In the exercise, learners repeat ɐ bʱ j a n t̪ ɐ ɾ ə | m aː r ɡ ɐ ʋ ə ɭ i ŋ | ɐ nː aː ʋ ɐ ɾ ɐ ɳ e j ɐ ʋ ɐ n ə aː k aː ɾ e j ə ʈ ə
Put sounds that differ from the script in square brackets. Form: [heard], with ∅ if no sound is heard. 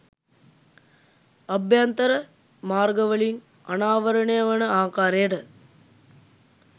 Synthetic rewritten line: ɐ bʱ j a n t̪ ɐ ɾ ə | m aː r ɡ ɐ ʋ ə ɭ i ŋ | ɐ [n] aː ʋ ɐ ɾ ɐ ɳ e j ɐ ʋ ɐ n ə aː k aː ɾ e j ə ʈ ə